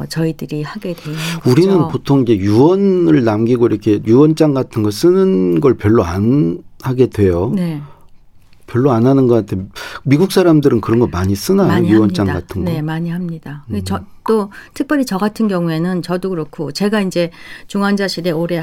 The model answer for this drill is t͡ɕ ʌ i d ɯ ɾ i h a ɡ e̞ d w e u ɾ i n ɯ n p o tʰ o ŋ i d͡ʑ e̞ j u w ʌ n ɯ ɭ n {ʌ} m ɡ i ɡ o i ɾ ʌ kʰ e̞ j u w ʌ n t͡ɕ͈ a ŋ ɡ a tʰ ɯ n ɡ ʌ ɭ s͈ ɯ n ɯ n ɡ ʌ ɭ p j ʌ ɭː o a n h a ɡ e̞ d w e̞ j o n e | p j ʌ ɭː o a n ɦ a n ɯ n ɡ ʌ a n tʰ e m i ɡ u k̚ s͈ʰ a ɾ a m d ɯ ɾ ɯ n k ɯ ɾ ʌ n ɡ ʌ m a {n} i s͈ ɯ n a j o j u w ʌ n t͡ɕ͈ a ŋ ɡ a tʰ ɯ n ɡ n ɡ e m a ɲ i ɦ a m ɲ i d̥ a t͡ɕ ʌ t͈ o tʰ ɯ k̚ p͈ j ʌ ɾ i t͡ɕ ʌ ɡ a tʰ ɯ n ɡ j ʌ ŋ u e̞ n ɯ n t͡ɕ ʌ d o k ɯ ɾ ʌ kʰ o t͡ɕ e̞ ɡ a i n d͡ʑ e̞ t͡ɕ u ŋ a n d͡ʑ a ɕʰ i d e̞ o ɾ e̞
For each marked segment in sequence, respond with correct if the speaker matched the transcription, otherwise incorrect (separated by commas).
incorrect, incorrect